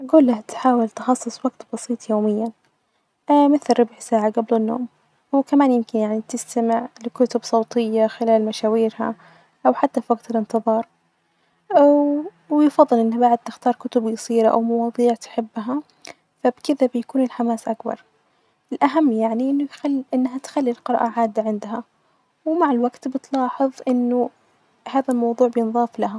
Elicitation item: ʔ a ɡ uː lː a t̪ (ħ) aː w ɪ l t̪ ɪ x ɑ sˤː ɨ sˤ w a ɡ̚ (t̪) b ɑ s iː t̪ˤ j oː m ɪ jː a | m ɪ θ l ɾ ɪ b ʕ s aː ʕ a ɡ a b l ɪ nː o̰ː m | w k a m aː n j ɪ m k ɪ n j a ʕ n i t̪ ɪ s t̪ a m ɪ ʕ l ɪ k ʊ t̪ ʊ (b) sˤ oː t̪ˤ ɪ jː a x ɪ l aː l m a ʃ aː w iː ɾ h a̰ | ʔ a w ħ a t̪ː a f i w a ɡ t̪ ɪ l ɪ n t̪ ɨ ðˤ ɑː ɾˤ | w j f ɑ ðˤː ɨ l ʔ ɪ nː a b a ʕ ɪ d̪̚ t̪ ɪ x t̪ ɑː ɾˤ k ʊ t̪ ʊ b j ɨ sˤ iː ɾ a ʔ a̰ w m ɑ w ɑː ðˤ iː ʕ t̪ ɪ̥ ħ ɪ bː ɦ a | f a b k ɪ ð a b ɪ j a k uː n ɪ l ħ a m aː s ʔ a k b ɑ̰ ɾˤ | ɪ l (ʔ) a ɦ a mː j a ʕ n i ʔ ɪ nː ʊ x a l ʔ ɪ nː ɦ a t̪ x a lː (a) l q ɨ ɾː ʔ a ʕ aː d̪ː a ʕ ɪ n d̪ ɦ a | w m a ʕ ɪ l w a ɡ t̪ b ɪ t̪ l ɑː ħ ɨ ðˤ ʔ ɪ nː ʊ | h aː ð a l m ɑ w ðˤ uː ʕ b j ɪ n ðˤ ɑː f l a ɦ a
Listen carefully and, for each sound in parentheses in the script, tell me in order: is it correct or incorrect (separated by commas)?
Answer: correct, correct, correct, correct, incorrect